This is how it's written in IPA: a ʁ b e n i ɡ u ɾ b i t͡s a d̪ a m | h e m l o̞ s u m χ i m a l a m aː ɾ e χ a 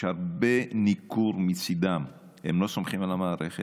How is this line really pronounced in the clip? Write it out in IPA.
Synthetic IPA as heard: a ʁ b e n i k u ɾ m i t͡s i d̪ a m | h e m l o̞ s o m χ i m a l a m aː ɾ e χ e